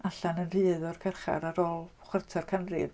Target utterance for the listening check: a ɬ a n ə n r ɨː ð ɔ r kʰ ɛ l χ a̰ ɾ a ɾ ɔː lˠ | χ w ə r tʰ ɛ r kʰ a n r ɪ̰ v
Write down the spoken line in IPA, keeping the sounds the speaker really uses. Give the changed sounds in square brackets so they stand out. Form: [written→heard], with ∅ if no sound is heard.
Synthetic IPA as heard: a ɬ a n ə n r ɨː ð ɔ r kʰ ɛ [l→r] χ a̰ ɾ a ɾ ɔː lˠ | χ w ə r tʰ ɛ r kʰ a n r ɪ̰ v